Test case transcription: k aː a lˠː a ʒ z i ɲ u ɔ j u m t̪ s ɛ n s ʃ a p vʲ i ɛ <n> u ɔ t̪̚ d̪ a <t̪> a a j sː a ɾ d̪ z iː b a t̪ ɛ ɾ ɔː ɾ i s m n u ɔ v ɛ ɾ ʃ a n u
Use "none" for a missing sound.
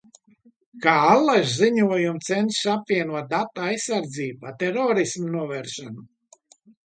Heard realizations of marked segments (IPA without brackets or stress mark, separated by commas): n, t̪